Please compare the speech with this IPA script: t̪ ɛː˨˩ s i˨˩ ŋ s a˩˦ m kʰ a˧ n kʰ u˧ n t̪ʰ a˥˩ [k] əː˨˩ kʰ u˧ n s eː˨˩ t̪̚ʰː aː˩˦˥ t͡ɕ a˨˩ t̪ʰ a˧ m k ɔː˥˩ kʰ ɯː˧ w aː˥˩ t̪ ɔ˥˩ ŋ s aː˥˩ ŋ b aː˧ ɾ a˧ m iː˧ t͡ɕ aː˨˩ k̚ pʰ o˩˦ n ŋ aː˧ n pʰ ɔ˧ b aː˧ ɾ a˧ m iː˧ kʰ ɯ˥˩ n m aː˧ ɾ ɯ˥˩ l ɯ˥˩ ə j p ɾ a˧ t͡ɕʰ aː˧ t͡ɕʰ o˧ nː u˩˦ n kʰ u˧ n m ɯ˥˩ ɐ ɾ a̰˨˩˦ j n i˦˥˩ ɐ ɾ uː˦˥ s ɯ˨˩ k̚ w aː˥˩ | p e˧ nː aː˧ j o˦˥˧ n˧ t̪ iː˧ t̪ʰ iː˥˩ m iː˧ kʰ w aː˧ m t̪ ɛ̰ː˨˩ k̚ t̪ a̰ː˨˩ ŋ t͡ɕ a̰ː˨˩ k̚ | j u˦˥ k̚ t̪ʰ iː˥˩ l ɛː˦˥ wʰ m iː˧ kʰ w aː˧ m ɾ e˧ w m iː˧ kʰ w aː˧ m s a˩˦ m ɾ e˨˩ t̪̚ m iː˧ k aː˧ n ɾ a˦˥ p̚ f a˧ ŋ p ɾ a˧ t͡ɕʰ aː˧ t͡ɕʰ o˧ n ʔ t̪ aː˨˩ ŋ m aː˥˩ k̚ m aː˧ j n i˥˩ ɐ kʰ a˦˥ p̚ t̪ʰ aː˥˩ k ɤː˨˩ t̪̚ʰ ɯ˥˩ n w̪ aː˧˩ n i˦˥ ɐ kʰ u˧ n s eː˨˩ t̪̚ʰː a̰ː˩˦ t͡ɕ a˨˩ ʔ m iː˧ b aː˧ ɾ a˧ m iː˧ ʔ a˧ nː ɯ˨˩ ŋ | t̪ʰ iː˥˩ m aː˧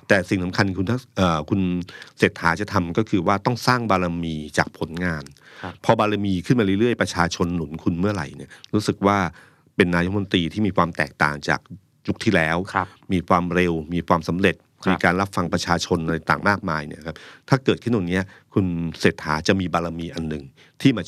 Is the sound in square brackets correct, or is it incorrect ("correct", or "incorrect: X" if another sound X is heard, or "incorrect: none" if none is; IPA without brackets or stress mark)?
incorrect: ʔ